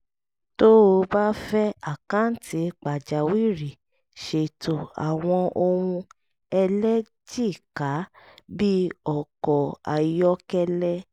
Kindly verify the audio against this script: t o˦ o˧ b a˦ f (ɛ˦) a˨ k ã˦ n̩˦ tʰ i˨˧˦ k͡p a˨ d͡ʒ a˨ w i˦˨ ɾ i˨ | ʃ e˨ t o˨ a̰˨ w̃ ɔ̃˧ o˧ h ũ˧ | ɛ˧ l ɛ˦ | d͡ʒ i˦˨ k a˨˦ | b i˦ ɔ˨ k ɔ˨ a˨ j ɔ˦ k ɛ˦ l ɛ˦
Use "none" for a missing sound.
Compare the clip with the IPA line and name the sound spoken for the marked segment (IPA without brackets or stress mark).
ɛ˦